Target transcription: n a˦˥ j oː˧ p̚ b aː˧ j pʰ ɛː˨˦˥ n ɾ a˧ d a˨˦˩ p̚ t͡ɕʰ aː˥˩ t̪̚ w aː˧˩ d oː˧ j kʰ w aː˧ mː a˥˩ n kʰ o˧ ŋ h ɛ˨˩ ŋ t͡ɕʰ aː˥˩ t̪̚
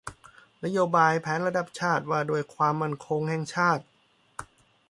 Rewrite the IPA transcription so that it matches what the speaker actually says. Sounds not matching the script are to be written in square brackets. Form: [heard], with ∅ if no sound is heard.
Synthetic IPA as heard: n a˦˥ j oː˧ [∅] b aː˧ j pʰ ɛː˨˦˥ n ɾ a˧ d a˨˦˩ p̚ t͡ɕʰ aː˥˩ t̪̚ w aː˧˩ d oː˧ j kʰ w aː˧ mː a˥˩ n kʰ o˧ ŋ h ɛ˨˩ ŋ t͡ɕʰ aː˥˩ t̪̚